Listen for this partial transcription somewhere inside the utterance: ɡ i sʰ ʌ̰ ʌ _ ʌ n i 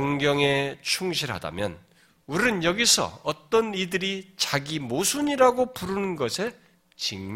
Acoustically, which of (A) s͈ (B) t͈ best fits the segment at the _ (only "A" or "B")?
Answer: B